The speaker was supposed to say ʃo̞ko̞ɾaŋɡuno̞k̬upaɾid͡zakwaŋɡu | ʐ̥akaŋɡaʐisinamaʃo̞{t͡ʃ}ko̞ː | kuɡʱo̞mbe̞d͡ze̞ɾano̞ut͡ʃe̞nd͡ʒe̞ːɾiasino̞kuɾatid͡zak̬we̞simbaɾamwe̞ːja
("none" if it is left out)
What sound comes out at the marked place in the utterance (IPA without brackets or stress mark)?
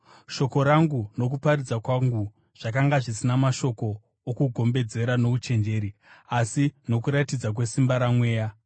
none